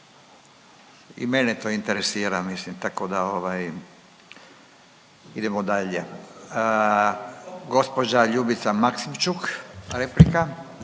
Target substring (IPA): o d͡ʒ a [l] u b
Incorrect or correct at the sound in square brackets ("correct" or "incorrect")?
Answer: incorrect